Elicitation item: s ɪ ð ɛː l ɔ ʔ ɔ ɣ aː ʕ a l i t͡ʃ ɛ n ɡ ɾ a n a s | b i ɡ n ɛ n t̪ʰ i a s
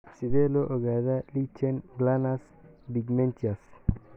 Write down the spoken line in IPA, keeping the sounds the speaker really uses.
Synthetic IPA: s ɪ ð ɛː l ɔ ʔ ɔ ɣ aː ð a l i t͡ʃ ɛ n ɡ l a n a s | b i ɡ m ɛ n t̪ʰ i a s